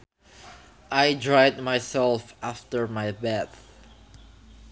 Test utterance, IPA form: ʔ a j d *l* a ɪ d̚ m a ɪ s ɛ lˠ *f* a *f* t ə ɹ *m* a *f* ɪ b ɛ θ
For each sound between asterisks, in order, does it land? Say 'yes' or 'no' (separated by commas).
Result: no, yes, yes, yes, no